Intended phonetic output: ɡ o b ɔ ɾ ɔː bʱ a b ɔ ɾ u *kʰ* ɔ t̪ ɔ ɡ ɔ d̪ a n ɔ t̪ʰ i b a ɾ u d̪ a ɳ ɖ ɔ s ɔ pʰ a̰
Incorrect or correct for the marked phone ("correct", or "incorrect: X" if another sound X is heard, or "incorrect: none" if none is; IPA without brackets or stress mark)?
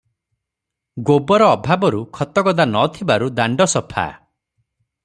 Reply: correct